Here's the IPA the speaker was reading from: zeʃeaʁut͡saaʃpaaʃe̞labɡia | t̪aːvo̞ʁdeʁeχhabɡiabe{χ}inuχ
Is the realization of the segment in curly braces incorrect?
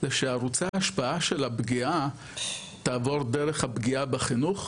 no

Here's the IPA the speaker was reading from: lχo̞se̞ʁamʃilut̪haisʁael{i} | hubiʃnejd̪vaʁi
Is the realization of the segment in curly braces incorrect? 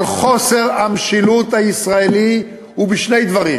no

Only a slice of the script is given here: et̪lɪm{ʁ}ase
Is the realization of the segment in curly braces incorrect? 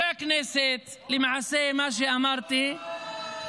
yes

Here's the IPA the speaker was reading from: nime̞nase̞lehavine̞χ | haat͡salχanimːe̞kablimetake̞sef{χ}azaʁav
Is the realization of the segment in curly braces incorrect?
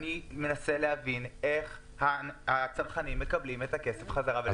no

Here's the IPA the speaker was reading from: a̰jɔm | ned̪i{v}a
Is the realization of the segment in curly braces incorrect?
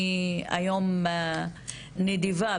no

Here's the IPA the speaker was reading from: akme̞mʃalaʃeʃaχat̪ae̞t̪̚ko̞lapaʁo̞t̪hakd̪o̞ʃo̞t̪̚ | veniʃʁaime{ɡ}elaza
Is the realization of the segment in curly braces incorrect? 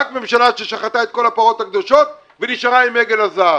no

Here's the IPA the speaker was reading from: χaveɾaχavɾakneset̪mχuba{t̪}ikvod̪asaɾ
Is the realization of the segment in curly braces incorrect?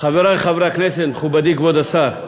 yes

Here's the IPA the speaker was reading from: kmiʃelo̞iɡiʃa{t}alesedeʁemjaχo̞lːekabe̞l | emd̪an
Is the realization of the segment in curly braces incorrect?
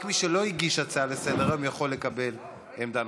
yes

